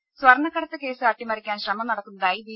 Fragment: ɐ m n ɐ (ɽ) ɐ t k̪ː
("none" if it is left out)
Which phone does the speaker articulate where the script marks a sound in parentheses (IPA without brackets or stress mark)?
ɽ